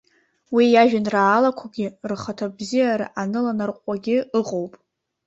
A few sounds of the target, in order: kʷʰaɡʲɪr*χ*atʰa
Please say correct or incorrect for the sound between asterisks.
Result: correct